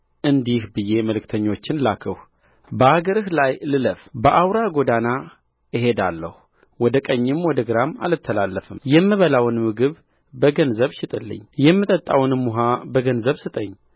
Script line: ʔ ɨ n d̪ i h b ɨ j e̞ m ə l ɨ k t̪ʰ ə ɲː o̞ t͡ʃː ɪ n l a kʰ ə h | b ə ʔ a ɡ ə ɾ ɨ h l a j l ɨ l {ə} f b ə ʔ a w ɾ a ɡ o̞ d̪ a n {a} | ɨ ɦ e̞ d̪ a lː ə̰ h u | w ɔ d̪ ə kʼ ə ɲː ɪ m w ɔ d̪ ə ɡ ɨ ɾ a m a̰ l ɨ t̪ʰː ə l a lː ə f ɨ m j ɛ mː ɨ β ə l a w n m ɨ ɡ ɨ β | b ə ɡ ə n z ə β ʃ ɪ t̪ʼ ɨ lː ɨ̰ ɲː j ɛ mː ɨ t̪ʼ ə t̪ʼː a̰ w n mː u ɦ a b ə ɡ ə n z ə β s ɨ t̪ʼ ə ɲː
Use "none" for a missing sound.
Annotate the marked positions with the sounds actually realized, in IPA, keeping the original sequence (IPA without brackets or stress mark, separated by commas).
ə, a